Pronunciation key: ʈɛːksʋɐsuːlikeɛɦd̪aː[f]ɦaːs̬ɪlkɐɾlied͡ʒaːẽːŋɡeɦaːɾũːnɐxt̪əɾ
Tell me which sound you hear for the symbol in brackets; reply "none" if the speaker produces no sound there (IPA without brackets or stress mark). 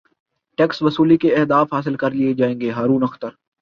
f